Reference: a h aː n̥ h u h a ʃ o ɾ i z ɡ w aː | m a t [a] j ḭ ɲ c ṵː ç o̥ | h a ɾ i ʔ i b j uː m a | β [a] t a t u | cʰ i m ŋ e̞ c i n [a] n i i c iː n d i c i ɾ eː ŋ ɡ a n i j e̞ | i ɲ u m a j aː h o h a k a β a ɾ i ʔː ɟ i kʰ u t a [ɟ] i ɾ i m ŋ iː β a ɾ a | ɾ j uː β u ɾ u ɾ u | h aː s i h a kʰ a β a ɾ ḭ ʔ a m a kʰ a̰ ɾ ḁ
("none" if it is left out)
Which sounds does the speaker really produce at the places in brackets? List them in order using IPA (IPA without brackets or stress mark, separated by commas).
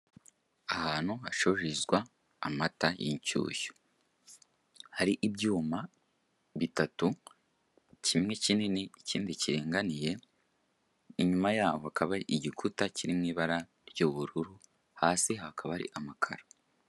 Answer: a, i, i, c